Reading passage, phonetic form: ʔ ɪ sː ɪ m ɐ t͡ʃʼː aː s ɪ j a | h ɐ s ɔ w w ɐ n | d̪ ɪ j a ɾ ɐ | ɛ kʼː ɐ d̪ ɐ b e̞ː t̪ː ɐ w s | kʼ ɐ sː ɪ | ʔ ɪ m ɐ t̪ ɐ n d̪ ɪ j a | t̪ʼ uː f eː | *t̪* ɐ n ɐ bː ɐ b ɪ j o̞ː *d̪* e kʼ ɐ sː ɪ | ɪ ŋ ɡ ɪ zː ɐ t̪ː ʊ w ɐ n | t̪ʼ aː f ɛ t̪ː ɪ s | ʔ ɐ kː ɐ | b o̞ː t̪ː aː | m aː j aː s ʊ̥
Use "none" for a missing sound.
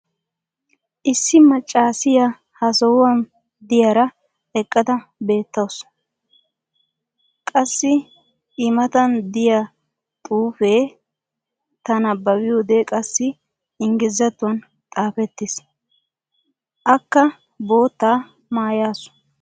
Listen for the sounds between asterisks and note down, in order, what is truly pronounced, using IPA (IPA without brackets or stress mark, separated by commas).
t̪, d̪